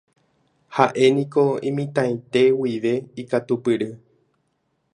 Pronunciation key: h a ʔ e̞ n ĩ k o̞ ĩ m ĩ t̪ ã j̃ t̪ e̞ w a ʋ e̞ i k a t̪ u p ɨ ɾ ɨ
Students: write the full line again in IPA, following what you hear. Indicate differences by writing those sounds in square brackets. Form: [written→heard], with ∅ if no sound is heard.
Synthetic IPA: h a ʔ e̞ n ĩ k o̞ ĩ m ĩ t̪ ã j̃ t̪ e̞ w [a→i] ʋ e̞ i k a t̪ u p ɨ ɾ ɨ

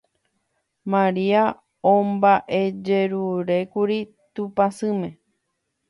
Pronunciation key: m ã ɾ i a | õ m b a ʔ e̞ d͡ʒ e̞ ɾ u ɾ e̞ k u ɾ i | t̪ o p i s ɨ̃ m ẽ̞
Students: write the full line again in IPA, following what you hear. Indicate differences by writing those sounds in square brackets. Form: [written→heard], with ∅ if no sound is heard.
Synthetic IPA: m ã ɾ i a | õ m b a ʔ e̞ d͡ʒ e̞ ɾ u ɾ e̞ k u ɾ i | t̪ [o→u] p [i→a] s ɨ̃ m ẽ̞

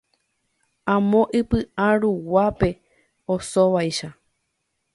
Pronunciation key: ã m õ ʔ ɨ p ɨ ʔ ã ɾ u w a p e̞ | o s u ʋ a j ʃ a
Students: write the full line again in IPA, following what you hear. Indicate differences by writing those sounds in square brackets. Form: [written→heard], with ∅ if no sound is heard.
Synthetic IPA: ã m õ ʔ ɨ p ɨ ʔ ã ɾ u w a p e̞ | o s [u→o] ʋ a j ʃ a

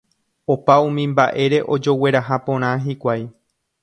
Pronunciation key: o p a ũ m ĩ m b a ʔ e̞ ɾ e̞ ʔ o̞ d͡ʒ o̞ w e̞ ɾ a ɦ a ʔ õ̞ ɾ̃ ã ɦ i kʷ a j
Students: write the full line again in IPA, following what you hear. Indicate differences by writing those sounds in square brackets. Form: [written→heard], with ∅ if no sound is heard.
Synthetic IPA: o p a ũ m ĩ m b a ʔ e̞ ɾ e̞ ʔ o̞ d͡ʒ o̞ w e̞ ɾ a ɦ a [ʔ→p] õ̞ ɾ̃ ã ɦ i kʷ a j

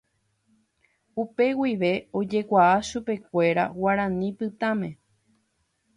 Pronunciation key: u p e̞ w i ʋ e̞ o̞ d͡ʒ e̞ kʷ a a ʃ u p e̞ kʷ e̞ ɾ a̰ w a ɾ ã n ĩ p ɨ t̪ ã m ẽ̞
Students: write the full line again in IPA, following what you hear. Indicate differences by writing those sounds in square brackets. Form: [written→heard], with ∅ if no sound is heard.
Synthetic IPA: u p e̞ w i ʋ e̞ o̞ d͡ʒ e̞ kʷ a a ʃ u p e̞ kʷ e̞ ɾ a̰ w a ɾ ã n ĩ p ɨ t̪ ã m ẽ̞

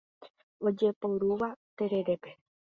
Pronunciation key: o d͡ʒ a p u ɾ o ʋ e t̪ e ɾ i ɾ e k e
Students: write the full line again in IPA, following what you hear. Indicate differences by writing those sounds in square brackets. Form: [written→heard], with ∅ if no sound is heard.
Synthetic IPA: o d͡ʒ [a→e] p [u→o] ɾ [o→u] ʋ [e→a] t̪ e ɾ [i→e] ɾ e [k→p] e

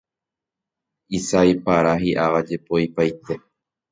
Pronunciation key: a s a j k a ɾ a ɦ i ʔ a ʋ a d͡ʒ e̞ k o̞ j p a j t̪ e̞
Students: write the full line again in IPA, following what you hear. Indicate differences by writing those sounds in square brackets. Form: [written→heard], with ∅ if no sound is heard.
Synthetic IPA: [a→i] s a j [k→p] a ɾ a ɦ i ʔ a ʋ a d͡ʒ e̞ [k→p] o̞ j p a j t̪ e̞

